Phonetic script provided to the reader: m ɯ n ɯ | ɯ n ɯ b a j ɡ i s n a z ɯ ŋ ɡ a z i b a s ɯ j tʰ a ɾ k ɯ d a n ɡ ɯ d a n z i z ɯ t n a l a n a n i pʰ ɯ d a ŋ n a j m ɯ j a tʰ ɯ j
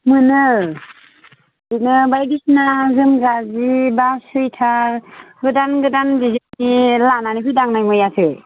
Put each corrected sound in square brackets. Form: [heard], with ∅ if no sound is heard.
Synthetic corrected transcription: m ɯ n ɯ | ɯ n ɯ b a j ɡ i s n a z ɯ [m] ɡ a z i b a s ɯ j tʰ a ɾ [ɡ] ɯ d a n ɡ ɯ d a n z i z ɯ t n [i] l a n a n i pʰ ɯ d a ŋ n a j m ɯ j a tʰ ɯ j